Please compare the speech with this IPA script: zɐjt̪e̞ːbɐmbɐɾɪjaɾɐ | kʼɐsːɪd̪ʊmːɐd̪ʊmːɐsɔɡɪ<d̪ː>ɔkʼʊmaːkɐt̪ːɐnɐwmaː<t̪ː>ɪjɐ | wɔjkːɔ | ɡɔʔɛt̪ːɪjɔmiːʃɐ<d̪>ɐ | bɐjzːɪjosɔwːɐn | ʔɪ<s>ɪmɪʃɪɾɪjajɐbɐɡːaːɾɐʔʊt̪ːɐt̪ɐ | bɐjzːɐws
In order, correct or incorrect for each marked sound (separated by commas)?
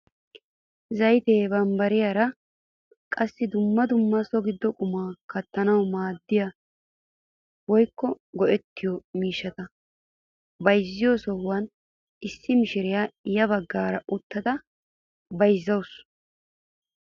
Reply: correct, incorrect, incorrect, incorrect